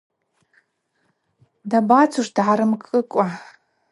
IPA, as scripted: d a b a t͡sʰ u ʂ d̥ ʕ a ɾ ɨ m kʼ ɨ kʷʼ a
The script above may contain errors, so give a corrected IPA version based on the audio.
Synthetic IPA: d a b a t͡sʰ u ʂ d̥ ʕ a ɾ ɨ m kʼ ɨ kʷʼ a